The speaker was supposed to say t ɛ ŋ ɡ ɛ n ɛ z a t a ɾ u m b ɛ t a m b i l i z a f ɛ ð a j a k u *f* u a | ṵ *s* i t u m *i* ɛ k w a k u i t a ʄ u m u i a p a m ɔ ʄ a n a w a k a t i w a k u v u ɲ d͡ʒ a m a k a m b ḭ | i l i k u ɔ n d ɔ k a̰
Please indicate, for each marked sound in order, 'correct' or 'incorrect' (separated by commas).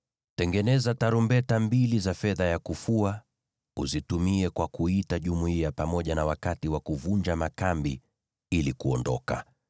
correct, incorrect, correct